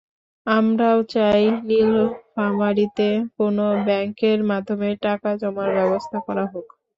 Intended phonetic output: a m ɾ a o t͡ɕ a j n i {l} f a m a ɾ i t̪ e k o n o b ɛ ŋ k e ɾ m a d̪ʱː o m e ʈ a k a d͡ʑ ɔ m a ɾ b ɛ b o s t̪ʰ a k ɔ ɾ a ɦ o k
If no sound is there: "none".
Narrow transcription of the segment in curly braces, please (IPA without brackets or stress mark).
l